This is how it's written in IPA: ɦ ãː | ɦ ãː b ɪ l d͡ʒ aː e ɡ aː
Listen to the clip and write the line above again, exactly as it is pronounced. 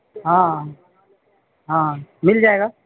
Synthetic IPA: ɦ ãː | ɦ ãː m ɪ l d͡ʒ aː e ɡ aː